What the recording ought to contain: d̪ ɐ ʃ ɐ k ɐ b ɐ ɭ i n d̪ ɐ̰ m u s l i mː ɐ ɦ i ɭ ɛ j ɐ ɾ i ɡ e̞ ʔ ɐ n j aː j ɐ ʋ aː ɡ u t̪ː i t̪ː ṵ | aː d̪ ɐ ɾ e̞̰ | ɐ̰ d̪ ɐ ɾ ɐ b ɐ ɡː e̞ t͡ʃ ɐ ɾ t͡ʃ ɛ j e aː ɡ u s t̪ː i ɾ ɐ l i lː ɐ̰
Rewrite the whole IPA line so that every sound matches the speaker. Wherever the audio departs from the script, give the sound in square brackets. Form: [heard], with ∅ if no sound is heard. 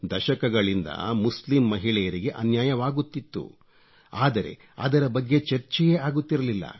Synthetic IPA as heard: d̪ ɐ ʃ ɐ k ɐ [ɡ] ɐ ɭ i n d̪ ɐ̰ m u s l i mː ɐ ɦ i ɭ ɛ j ɐ ɾ i ɡ e̞ ʔ ɐ n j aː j ɐ ʋ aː ɡ u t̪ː i t̪ː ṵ | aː d̪ ɐ ɾ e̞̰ | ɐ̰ d̪ ɐ ɾ ɐ b ɐ ɡː e̞ t͡ʃ ɐ ɾ t͡ʃ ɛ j e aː ɡ u [∅] t̪ː i ɾ ɐ l i lː ɐ̰